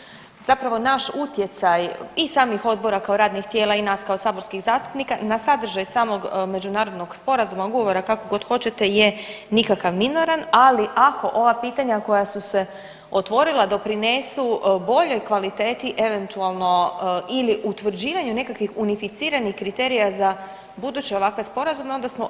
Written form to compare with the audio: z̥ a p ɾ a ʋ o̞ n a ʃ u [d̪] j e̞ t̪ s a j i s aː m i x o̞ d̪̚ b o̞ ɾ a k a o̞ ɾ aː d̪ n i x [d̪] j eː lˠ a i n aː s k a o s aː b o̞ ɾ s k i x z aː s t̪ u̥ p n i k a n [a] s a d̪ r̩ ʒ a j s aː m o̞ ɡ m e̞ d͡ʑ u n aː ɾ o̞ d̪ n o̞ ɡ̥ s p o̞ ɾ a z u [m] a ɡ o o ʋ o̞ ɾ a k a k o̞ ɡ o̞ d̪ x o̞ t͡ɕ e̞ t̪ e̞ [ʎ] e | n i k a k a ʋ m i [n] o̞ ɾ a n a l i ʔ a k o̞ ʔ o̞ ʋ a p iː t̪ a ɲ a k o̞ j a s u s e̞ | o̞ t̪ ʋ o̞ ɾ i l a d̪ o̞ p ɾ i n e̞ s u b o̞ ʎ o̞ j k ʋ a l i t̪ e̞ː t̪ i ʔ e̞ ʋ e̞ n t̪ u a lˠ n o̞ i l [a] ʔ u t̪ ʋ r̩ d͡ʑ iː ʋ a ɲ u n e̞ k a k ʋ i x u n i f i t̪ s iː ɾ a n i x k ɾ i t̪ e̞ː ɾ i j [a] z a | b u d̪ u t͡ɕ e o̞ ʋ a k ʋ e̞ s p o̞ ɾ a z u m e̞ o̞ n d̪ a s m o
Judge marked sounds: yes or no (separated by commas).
no, no, yes, yes, no, yes, no, yes